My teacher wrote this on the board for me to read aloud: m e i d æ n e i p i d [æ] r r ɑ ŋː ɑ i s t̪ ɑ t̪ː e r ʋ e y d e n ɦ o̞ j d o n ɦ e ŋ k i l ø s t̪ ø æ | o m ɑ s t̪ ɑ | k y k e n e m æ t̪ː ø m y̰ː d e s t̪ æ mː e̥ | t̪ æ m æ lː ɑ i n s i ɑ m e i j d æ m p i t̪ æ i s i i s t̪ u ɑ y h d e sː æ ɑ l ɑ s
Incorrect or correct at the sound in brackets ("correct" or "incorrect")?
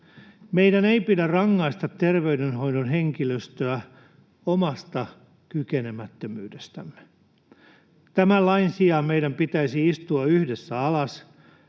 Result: correct